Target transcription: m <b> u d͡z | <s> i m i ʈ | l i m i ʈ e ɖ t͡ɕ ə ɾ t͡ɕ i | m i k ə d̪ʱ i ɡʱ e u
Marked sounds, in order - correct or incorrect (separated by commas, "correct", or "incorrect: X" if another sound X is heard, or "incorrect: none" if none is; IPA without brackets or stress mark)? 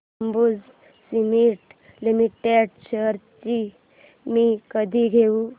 correct, correct